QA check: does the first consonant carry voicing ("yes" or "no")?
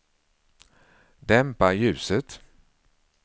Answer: yes